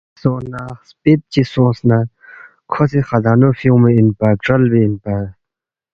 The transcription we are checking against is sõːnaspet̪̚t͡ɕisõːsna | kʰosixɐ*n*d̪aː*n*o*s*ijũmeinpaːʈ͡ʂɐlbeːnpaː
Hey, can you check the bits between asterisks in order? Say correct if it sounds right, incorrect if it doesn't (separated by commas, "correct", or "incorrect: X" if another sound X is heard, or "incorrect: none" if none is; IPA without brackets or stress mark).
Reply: incorrect: none, correct, incorrect: f